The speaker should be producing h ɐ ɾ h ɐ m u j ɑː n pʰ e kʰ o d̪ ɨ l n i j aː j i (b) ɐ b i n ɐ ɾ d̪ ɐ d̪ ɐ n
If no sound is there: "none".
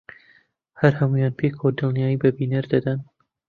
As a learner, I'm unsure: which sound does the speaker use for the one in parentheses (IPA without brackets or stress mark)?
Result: b